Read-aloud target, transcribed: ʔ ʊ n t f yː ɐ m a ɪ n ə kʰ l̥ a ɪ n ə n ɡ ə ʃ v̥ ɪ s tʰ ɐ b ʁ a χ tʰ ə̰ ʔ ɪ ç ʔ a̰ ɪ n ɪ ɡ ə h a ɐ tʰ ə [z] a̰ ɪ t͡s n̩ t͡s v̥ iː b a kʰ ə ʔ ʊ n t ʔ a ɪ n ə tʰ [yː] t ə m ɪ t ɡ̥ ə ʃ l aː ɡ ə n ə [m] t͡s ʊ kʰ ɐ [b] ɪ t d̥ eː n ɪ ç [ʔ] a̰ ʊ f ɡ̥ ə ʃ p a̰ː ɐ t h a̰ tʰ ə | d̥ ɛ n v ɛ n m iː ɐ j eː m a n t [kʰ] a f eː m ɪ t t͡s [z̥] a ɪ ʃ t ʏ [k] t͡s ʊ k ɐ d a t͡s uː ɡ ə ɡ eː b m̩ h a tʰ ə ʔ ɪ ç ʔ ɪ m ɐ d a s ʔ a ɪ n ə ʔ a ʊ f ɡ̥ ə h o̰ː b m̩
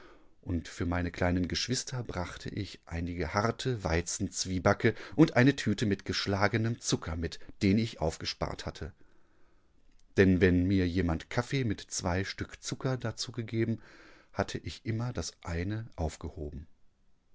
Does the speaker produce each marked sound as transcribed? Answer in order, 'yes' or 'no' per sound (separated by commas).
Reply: no, yes, yes, no, yes, yes, no, yes